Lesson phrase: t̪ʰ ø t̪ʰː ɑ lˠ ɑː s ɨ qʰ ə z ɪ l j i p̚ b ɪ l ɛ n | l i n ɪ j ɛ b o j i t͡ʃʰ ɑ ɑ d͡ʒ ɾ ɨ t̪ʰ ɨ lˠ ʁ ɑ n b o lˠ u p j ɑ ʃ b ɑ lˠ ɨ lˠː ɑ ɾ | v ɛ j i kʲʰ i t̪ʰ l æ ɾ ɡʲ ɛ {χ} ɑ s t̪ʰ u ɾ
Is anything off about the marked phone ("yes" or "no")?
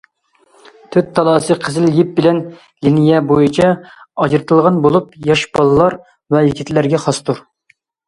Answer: no